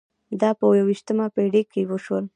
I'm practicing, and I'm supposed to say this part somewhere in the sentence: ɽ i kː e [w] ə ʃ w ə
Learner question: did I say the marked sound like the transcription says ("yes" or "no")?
yes